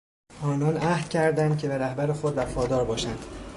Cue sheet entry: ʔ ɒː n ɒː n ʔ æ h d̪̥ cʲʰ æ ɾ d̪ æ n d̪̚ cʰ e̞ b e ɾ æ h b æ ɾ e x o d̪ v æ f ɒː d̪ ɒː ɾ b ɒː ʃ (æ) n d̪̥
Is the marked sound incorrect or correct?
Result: correct